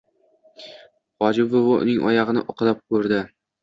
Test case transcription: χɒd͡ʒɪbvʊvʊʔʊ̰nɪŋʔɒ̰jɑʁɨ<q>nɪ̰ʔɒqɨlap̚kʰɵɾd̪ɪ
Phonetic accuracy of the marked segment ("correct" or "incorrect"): incorrect